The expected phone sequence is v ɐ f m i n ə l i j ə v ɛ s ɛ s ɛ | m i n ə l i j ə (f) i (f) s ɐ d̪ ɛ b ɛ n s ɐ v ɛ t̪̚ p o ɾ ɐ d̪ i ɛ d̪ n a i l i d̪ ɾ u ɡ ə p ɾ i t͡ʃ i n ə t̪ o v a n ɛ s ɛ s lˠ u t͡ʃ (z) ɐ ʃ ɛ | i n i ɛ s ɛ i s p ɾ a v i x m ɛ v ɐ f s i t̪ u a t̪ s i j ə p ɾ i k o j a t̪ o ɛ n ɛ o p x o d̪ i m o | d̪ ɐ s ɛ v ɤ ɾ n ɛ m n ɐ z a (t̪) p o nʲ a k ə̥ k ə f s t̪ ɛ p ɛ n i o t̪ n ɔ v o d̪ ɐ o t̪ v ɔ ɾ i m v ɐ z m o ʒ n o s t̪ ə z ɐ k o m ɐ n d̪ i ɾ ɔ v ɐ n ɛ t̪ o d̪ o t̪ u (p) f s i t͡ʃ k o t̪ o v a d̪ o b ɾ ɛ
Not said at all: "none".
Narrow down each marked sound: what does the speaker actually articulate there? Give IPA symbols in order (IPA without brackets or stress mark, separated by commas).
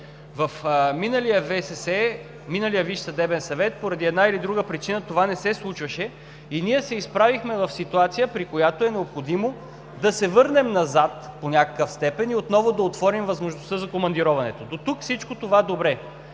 v, ʃ, v, t̪, k